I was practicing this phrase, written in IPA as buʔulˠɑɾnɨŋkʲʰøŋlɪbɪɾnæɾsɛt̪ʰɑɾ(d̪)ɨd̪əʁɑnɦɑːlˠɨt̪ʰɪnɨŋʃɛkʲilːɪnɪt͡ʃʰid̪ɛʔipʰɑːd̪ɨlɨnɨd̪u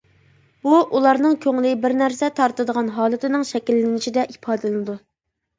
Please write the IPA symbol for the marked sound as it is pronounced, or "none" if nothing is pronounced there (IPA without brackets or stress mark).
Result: t̪